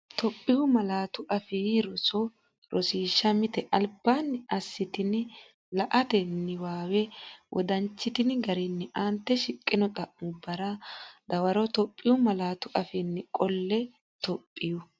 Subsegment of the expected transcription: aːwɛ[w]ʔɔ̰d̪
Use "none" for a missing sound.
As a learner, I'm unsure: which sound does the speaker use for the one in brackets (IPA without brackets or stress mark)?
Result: w